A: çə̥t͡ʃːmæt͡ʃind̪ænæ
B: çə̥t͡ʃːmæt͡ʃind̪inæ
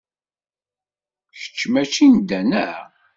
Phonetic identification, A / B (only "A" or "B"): A